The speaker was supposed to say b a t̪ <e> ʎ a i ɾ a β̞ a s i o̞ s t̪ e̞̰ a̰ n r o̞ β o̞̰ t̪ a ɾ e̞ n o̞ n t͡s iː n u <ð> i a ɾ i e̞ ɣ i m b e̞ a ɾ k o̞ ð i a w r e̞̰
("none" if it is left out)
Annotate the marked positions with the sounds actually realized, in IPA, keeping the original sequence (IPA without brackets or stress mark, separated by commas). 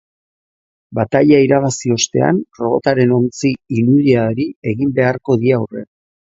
a, ð